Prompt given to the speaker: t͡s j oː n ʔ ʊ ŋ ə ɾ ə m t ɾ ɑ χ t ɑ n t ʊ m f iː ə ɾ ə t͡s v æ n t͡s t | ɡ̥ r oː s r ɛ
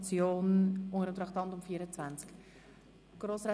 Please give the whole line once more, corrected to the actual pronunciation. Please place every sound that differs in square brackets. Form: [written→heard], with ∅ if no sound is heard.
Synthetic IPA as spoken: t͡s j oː n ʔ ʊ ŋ ə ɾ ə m t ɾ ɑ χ t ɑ n t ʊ m f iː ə ɾ ə t͡s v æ n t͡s [t→k] | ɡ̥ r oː s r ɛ